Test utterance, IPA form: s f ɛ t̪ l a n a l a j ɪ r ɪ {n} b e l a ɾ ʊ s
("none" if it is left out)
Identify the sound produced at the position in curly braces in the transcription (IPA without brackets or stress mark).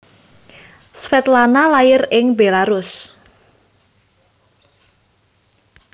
ŋ